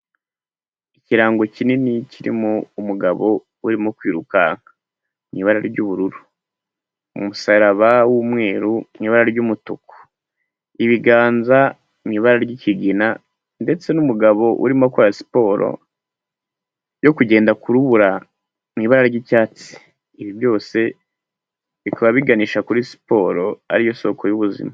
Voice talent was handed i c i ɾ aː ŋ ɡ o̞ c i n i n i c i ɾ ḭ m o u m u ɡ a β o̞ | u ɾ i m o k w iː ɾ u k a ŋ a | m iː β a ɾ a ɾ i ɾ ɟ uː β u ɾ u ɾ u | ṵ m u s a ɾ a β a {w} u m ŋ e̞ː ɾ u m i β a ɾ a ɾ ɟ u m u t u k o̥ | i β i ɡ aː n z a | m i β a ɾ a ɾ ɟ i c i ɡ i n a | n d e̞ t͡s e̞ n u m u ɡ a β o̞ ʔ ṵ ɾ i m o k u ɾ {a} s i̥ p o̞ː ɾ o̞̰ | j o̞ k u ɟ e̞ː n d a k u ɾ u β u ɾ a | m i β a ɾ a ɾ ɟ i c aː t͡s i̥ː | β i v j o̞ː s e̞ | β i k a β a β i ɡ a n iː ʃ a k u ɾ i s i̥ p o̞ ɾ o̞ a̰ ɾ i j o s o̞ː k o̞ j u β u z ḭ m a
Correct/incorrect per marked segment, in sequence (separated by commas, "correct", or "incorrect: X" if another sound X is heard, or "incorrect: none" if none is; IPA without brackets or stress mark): correct, correct